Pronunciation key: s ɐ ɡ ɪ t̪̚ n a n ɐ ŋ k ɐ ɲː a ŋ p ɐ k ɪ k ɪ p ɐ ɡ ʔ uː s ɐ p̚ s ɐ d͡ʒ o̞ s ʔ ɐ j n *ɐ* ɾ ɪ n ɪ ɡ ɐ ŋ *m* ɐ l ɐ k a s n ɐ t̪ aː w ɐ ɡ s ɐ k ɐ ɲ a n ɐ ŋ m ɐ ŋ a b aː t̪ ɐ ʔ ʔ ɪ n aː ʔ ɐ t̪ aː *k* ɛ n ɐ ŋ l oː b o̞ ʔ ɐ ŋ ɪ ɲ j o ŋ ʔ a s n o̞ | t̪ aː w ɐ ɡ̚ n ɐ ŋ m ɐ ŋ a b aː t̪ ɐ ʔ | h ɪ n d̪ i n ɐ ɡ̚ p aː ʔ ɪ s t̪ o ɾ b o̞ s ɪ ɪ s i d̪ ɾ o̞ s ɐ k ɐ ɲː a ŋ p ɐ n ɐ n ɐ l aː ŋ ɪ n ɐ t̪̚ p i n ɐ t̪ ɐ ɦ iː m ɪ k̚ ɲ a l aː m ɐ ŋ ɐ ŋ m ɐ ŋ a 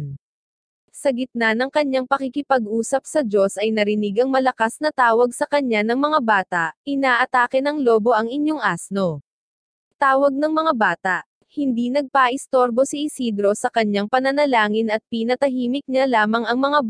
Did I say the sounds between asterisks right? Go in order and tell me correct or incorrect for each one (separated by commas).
correct, correct, correct